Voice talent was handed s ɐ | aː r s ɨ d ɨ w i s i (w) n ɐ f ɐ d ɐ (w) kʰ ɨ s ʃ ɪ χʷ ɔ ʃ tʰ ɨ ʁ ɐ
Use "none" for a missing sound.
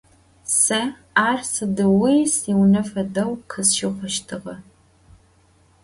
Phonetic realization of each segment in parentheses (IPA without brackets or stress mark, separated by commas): w, w